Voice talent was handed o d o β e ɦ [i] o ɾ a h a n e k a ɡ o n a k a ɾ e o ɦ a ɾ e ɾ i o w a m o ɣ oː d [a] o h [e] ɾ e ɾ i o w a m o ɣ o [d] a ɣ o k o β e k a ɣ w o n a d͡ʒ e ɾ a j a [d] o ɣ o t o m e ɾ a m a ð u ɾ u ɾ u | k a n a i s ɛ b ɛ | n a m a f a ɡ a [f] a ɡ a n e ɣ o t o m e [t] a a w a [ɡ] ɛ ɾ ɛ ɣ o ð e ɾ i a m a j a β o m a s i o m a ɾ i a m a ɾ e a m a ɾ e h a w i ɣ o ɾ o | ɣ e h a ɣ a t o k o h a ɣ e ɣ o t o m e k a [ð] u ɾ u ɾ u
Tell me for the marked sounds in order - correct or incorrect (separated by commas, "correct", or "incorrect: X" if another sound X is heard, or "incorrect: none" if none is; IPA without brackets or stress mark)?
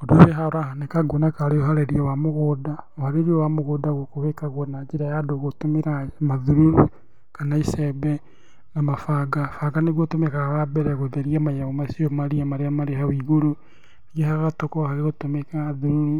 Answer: incorrect: a, correct, incorrect: a, correct, correct, correct, incorrect: k, incorrect: b, correct